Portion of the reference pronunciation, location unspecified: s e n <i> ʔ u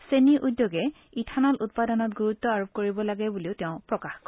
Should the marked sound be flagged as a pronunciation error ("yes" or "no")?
no